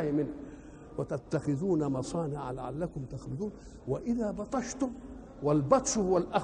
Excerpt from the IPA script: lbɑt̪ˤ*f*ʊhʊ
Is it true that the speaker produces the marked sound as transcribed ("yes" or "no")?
no